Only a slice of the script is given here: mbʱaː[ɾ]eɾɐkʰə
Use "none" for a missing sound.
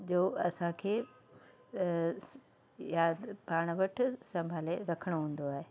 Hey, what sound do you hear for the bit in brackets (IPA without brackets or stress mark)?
l